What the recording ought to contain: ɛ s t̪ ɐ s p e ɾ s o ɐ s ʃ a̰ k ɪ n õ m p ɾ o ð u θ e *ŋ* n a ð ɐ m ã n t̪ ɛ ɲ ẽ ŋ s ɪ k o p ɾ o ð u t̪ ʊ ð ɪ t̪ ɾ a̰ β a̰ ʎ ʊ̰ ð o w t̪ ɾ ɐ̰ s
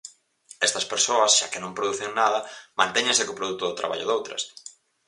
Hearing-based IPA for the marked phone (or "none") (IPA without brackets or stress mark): ŋ